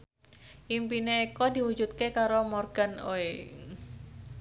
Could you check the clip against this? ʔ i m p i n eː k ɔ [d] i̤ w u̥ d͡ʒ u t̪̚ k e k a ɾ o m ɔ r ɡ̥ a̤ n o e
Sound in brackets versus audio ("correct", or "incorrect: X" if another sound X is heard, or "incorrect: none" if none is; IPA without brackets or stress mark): correct